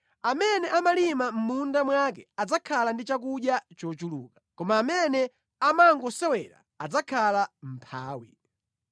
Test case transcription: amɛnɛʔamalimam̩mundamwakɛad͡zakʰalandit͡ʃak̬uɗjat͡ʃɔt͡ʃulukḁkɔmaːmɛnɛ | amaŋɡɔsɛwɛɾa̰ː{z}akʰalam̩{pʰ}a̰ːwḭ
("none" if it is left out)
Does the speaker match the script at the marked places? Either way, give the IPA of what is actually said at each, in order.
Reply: d͡z, pʰ

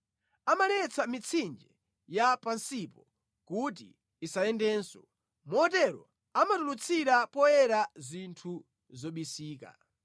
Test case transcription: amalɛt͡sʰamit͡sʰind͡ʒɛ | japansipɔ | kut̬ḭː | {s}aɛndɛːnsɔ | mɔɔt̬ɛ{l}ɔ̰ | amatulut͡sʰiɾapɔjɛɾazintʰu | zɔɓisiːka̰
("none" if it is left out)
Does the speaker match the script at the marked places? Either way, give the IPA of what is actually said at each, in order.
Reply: s, ɾ

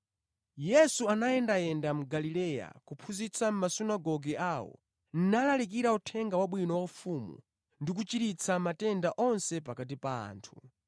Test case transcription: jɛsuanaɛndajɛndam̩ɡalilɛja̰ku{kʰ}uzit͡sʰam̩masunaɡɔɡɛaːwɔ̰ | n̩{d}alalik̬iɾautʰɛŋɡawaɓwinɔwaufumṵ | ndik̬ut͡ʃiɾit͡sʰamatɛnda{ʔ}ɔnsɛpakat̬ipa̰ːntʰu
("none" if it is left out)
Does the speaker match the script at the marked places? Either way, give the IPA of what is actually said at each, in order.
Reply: pʰ, n, ʔ

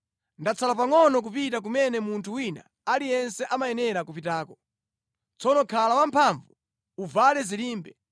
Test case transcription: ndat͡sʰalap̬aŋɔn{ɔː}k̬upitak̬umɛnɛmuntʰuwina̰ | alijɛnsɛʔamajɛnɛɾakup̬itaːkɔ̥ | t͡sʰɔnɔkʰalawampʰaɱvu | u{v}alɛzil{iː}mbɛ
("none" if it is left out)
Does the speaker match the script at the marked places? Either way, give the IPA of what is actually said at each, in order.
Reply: ɔ, v, iː

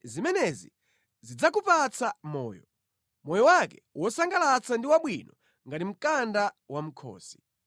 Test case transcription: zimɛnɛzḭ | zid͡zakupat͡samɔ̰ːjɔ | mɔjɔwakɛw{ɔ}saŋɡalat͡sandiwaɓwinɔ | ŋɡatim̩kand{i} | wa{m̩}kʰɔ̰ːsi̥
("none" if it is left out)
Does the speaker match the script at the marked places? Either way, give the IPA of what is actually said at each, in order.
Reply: ɔ, a, m̩

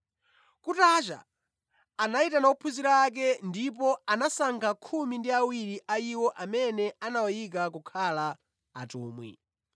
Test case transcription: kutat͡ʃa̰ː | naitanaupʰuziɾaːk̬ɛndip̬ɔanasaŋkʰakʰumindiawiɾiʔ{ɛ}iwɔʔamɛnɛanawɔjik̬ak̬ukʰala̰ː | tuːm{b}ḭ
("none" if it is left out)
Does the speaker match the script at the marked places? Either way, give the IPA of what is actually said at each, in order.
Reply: a, w

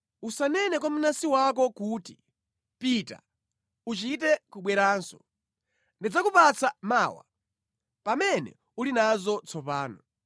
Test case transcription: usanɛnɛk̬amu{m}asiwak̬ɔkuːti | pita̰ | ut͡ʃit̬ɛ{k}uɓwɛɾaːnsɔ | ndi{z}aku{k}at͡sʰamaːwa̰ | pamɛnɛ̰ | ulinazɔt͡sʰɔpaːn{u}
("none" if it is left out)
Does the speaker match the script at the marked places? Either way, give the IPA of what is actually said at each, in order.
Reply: n, k, d͡z, p, ɔ

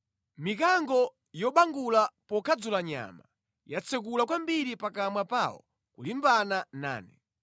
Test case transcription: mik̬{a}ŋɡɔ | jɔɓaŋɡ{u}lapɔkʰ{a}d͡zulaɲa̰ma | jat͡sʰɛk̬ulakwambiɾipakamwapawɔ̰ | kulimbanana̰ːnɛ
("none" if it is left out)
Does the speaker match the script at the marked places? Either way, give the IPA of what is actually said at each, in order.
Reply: a, u, a

